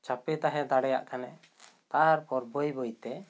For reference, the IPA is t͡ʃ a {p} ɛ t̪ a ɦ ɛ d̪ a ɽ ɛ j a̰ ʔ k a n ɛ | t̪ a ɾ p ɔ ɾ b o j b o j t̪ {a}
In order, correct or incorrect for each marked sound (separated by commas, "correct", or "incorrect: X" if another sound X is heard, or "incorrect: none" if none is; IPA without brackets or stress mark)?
correct, incorrect: ɛ